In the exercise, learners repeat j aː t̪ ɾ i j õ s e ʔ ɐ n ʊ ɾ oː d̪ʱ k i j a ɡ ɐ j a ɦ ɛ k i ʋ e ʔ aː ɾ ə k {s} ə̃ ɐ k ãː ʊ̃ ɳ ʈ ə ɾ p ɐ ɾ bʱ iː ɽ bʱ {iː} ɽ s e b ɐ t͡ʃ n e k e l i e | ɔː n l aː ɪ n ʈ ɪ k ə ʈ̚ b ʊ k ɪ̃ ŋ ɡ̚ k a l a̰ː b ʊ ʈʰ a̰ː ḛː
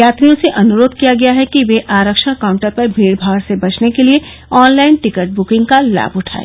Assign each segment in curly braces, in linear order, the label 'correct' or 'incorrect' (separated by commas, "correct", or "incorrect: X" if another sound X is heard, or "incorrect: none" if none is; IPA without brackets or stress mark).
incorrect: ʃ, incorrect: aː